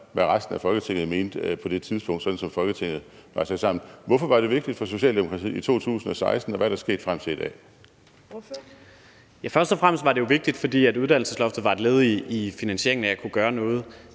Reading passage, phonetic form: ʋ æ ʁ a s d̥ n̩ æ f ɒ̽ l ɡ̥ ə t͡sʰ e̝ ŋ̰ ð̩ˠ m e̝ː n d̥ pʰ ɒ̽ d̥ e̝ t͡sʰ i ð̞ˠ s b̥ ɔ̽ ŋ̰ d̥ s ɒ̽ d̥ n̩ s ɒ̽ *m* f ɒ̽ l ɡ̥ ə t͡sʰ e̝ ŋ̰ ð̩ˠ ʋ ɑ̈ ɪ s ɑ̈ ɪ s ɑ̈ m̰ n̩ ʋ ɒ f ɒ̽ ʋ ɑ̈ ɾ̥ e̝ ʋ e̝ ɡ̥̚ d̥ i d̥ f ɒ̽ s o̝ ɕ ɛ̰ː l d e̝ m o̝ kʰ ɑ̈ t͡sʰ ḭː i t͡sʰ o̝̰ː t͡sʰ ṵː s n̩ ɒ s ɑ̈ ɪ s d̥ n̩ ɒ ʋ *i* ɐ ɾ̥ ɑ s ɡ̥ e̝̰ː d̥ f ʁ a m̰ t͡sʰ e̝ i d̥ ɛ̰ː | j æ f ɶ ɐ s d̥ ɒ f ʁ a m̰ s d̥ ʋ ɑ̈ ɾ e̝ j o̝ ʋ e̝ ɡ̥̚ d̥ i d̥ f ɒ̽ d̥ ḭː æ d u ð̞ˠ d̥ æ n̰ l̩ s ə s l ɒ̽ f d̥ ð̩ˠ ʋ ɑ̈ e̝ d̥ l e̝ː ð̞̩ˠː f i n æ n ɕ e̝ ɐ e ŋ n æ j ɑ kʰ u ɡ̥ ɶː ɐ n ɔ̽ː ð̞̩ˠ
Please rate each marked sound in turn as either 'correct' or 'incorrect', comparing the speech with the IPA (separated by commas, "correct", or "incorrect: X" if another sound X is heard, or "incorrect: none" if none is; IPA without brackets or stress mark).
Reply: correct, incorrect: æ